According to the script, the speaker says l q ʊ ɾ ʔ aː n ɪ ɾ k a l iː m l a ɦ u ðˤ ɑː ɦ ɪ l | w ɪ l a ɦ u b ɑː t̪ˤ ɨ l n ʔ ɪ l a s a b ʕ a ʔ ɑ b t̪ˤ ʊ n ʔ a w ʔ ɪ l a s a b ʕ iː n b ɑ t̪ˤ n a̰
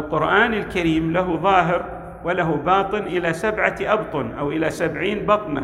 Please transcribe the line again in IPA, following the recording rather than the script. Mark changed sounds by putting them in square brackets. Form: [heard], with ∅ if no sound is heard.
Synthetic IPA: l q ʊ ɾ ʔ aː n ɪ [l] k a [ɾ] iː m l a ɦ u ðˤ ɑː ɦ ɪ [ɾ] | w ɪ l a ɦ u b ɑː t̪ˤ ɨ [∅] n ʔ ɪ l a s a b ʕ a ʔ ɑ b t̪ˤ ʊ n ʔ a w ʔ ɪ l a s a b ʕ iː n b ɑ t̪ˤ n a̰